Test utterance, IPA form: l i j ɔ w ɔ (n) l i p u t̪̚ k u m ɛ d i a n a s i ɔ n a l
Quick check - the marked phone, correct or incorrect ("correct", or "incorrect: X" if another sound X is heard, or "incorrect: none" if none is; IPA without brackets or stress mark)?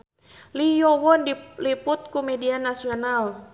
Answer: correct